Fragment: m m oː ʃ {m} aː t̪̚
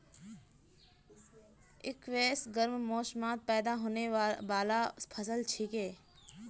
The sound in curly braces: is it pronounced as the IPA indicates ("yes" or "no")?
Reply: yes